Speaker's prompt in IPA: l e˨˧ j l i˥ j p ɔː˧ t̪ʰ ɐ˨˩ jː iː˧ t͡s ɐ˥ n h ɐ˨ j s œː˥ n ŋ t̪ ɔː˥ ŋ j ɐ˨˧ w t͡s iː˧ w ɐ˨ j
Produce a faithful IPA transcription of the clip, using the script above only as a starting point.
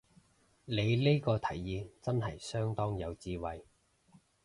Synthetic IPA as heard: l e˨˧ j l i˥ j k ɔː˧ t̪ʰ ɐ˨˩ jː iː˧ t͡s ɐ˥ n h ɐ˨ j s œː˥ ŋ t̪ ɔː˥ ŋ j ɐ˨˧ w t͡s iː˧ w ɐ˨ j